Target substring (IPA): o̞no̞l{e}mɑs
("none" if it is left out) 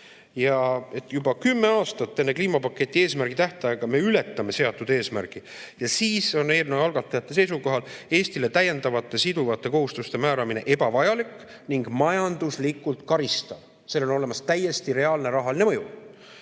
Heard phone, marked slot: e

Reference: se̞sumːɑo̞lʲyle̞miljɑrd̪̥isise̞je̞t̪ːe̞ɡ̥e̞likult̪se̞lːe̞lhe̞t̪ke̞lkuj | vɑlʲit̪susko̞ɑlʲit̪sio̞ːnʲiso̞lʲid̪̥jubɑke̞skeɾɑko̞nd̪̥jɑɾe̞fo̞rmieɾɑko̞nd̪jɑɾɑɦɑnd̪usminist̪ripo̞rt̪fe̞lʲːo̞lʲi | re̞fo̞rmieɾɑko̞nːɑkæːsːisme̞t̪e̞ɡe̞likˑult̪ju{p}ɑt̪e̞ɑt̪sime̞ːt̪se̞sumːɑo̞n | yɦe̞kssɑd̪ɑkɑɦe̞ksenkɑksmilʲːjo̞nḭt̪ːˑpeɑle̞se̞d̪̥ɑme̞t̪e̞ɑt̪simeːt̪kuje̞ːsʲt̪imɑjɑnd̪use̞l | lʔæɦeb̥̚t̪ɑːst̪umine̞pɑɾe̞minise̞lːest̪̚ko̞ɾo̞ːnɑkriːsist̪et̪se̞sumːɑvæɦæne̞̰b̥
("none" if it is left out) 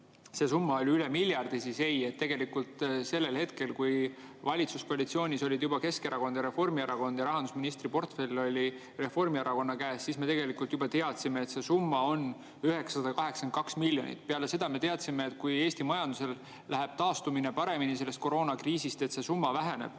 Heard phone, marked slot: b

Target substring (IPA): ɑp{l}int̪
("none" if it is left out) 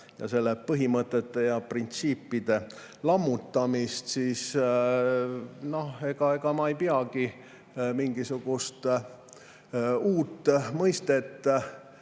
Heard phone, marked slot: r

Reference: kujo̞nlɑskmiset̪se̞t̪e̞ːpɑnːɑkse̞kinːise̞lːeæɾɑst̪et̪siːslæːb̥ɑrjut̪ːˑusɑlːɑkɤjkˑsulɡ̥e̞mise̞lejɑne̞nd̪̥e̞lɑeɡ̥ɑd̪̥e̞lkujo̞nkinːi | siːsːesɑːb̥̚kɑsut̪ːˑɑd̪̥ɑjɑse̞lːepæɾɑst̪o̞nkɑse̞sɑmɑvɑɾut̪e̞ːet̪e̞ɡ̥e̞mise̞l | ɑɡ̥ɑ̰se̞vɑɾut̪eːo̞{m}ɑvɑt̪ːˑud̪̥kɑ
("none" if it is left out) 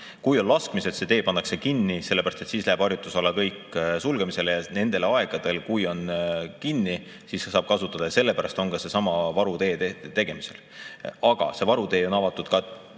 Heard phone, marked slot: n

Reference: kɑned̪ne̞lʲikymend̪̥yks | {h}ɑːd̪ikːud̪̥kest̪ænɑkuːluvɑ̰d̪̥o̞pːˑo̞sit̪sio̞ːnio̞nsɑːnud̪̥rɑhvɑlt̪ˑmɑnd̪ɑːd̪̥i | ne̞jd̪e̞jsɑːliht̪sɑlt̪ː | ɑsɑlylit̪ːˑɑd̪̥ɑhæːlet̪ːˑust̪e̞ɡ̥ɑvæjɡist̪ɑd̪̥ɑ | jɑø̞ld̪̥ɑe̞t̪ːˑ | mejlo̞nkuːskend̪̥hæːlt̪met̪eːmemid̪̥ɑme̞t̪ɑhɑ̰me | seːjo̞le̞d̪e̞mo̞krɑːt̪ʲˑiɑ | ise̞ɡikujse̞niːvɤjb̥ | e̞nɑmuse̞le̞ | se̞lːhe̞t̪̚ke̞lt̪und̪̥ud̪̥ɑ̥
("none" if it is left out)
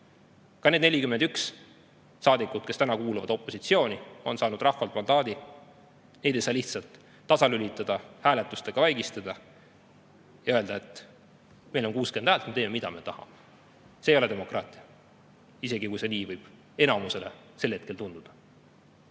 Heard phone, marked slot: s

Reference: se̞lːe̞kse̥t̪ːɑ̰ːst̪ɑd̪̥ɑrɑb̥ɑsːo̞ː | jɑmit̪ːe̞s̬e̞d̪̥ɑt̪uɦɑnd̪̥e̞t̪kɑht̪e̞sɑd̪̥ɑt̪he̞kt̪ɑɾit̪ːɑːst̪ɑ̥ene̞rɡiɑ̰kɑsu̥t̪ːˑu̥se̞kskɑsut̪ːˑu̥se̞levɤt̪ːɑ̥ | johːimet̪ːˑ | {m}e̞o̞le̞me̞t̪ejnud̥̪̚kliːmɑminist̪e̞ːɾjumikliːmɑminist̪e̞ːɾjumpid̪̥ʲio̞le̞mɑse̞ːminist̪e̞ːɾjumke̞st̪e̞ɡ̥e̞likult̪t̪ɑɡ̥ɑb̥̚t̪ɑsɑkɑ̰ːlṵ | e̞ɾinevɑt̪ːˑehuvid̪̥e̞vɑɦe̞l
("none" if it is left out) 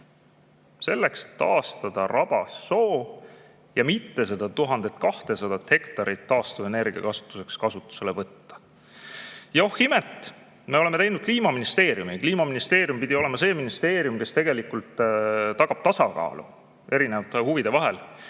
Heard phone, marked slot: m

